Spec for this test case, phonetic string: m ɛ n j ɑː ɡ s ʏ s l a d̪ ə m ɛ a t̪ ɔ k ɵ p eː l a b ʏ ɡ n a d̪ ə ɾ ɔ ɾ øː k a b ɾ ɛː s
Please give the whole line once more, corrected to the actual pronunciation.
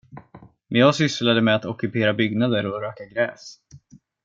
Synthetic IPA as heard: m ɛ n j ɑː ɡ s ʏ s l a d̪ ə m ɛ a t̪ ɔ k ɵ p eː ɾ a b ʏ ɡ n a d̪ ə ɾ ɔ ɾ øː k a ɡ ɾ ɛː s